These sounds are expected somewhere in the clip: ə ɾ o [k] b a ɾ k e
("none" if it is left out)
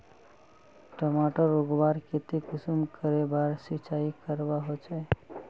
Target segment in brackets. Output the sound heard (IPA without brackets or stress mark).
ɡ